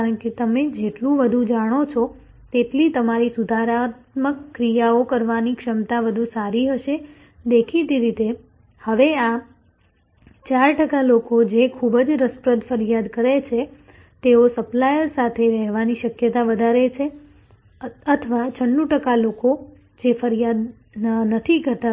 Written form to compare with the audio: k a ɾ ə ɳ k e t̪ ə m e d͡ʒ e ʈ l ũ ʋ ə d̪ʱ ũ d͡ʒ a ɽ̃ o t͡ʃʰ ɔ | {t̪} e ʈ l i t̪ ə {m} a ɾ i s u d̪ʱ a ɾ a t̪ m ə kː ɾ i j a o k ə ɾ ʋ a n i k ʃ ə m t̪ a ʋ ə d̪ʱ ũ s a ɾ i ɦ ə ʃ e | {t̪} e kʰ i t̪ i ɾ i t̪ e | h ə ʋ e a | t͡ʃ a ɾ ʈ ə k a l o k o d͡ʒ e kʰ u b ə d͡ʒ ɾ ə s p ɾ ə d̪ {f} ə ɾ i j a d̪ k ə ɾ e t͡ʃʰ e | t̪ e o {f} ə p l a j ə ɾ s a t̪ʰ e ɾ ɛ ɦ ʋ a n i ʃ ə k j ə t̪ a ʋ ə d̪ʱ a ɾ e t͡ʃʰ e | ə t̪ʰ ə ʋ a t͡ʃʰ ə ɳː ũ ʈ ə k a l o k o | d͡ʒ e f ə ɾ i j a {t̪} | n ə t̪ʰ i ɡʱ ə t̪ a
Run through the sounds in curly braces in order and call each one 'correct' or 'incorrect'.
correct, correct, incorrect: d̪, correct, incorrect: s, incorrect: d̪

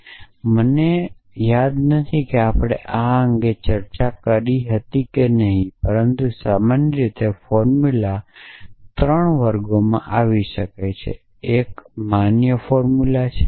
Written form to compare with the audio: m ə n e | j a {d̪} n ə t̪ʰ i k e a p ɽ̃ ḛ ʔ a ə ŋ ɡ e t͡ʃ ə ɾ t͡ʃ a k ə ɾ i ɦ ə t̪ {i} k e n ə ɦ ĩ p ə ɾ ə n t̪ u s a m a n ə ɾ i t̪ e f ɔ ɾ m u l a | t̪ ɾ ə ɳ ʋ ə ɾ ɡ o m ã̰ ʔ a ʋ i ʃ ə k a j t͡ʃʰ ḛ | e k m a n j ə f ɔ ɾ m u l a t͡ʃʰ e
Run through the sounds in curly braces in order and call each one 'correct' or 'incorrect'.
correct, correct

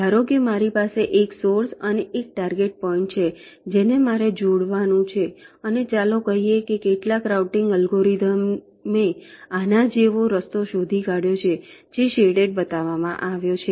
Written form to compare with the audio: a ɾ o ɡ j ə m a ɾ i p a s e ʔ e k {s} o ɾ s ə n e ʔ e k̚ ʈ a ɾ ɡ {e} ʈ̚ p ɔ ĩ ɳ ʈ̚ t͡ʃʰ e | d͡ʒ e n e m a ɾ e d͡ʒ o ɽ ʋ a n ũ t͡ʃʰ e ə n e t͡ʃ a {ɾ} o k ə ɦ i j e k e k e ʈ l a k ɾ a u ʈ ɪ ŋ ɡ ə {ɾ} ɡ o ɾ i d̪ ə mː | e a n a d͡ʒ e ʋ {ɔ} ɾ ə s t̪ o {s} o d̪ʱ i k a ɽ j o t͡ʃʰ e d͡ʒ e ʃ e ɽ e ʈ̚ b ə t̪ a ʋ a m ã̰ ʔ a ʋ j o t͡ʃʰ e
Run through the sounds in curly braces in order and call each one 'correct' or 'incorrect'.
correct, correct, incorrect: l, incorrect: l, incorrect: o, incorrect: ʃ

